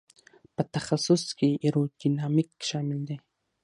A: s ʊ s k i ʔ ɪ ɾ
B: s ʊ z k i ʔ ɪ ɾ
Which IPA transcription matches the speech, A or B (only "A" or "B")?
A